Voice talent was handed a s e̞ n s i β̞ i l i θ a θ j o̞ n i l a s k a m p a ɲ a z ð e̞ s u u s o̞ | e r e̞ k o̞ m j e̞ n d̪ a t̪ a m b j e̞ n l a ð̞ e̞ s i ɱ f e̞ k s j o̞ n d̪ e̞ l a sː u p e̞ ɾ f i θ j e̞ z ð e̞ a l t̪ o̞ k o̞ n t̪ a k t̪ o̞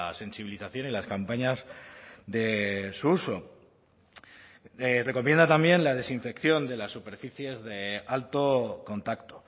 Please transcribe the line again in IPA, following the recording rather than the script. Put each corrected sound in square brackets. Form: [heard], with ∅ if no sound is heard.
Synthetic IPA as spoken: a s e̞ n s i β̞ i l i θ a θ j o̞ n i l a s k a m p a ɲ a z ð e̞ s u u s o̞ | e r e̞ k o̞ m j e̞ n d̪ a t̪ a m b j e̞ n l a ð̞ e̞ s i ɱ f e̞ k [θ] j o̞ n d̪ e̞ l a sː u p e̞ ɾ f i θ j e̞ z ð e̞ a l t̪ o̞ k o̞ n t̪ a k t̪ o̞

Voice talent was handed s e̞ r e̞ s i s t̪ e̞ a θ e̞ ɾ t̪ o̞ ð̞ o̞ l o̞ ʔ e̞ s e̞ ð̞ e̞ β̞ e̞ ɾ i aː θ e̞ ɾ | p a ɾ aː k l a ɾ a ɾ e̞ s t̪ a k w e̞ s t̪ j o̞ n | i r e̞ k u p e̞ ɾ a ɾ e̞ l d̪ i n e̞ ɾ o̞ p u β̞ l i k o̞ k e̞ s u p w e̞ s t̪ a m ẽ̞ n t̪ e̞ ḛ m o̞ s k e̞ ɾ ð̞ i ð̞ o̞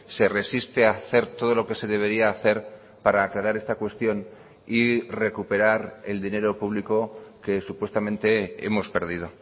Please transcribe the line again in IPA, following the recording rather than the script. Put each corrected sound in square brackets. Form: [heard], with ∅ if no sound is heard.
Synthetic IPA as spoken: s e̞ r e̞ s i s t̪ e̞ a θ e̞ ɾ t̪ o̞ ð̞ o̞ l o̞ [k] e̞ s e̞ ð̞ e̞ β̞ e̞ ɾ i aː θ e̞ ɾ | p a ɾ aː k l a ɾ a ɾ e̞ s t̪ a k w e̞ s t̪ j o̞ n | i r e̞ k u p e̞ ɾ a ɾ e̞ l d̪ i n e̞ ɾ o̞ p u β̞ l i k o̞ k e̞ s u p w e̞ s t̪ a m ẽ̞ n t̪ e̞ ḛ m o̞ s [p] e̞ ɾ ð̞ i ð̞ o̞

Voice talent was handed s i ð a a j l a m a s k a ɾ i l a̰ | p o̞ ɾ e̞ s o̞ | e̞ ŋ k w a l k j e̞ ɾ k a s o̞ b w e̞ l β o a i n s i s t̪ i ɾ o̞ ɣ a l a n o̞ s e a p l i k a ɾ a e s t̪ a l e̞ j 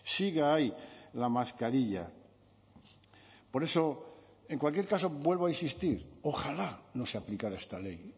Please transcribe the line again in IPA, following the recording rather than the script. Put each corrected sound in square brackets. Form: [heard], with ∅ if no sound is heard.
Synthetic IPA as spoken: s i [ɣ] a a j l a m a s k a ɾ i [ʎ] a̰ | p o̞ ɾ e̞ s o̞ | e̞ ŋ k w a l k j e̞ ɾ k a s o̞ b w e̞ l β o a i n s i s t̪ i ɾ o̞ [x] a l a n o̞ s e a p l i k a ɾ a e s t̪ a l e̞ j

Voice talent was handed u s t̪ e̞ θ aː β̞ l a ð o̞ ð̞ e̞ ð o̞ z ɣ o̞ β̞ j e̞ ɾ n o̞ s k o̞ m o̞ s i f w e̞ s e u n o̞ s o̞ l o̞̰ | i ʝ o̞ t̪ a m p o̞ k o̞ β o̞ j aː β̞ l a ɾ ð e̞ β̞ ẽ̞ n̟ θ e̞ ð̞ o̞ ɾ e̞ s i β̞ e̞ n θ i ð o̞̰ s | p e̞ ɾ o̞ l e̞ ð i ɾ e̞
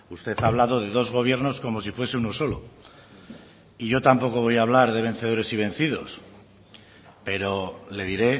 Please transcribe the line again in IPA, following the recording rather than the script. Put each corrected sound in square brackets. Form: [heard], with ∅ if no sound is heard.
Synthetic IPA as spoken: u s t̪ e̞ θ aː β̞ l a ð o̞ ð̞ e̞ ð o̞ z ɣ o̞ β̞ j e̞ ɾ n o̞ s k o̞ m o̞ s i f w e̞ s e u n o̞ s o̞ l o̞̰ | i ʝ o̞ t̪ a m p o̞ k o̞ β o̞ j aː β̞ l a ɾ ð e̞ β̞ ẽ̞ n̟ θ e̞ ð̞ o̞ ɾ e̞ s i β̞ e̞ n θ i ð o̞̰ s | p e̞ ɾ o̞ l e̞ ð i ɾ e̞

